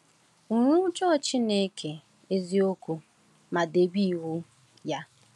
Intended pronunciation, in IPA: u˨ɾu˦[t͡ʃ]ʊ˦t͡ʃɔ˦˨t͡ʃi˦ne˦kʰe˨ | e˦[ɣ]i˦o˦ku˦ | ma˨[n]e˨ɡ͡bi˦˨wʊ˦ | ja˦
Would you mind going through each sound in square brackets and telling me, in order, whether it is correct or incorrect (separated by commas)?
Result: incorrect, incorrect, incorrect